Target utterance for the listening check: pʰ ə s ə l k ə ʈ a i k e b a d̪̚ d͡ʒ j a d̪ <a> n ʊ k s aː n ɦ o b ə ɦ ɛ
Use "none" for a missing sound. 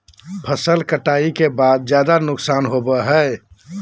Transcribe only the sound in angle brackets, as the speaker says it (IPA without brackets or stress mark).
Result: a